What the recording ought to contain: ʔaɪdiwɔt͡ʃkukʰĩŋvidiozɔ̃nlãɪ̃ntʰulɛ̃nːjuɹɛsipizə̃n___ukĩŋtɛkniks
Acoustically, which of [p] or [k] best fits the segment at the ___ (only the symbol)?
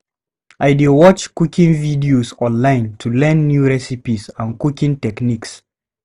k